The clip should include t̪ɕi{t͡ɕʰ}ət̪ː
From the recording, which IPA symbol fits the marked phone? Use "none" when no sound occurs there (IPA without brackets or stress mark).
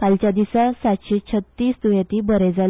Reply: t͡ɕʰ